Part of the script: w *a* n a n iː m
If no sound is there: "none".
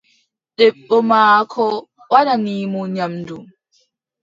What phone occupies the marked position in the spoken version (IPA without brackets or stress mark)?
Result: a